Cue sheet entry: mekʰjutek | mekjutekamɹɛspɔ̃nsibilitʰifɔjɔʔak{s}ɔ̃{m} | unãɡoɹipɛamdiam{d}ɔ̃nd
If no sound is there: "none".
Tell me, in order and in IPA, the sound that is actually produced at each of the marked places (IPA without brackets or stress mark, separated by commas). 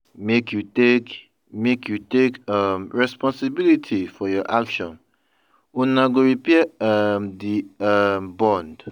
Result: ʃ, n, b